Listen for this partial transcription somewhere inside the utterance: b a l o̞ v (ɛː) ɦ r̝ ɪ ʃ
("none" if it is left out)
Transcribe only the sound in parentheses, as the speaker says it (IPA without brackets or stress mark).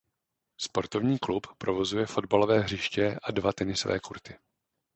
ɛː